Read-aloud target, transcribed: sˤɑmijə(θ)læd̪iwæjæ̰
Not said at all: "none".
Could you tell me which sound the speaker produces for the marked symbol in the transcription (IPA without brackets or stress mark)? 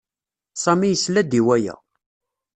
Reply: s